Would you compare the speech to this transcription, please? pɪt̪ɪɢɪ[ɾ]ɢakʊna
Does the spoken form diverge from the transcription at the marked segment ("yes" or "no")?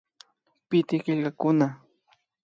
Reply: yes